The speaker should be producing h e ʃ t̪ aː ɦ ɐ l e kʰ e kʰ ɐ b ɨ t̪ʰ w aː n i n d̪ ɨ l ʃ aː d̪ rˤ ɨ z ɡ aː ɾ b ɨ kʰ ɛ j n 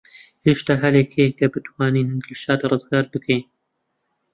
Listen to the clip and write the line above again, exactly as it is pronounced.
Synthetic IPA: h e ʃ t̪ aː ɦ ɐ l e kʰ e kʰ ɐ b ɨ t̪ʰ w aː n i n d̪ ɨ l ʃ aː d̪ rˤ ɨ z ɡ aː ɾ b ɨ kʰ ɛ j n